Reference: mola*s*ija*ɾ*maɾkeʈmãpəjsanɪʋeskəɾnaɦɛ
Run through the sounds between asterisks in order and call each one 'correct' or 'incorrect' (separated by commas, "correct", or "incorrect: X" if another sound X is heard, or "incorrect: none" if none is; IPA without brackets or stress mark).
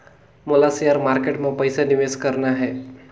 correct, correct